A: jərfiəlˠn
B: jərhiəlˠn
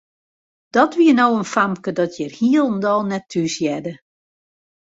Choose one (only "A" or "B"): B